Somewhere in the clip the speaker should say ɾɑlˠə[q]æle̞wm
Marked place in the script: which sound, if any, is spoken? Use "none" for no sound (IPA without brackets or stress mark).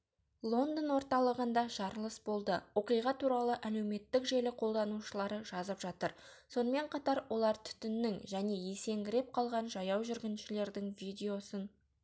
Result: ʔ